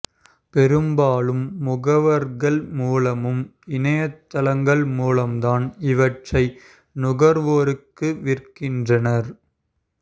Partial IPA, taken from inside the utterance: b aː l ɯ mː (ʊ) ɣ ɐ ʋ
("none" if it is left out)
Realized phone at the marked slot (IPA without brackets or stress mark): ʊ